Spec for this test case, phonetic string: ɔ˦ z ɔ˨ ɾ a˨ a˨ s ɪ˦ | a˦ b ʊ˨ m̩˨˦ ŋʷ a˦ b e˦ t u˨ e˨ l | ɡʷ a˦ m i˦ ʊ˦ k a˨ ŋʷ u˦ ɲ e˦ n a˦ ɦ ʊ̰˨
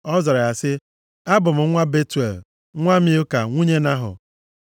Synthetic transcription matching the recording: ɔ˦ z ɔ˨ ɾ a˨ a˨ s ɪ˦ | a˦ b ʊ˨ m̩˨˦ ŋʷ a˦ b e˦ t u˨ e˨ l | ŋʷ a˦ m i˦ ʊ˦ k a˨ ŋʷ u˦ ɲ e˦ n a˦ ɦ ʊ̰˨